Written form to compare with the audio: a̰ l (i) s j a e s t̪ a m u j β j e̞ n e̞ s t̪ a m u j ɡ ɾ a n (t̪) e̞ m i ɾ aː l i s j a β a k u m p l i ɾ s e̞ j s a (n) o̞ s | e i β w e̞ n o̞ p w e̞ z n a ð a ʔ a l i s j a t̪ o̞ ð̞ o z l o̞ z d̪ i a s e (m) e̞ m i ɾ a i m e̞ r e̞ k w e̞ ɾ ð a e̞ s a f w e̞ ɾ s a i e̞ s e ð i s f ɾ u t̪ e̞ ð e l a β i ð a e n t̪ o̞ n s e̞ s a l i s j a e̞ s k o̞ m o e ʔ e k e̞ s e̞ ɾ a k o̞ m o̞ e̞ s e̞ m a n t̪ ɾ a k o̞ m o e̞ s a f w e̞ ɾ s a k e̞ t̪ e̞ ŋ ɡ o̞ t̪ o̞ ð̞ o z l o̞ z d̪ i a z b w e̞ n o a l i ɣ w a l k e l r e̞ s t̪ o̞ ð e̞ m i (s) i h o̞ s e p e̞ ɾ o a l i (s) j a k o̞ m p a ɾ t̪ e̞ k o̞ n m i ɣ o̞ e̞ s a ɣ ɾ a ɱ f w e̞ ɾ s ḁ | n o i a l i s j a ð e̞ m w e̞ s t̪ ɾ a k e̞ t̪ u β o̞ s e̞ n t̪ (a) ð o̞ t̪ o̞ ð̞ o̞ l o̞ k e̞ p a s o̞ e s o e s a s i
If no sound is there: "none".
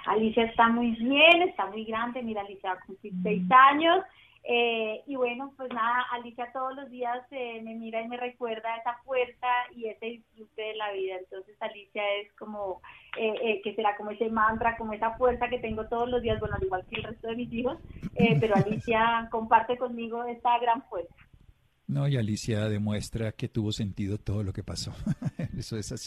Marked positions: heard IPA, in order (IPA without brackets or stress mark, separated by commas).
i, d̪, ɲ, m, s, s, i